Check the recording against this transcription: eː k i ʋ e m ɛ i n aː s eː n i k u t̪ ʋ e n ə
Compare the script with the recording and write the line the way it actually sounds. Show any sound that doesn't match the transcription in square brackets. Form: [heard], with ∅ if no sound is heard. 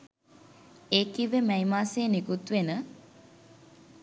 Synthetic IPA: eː k i ʋ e m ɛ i [m] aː s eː n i k u t̪ ʋ e n ə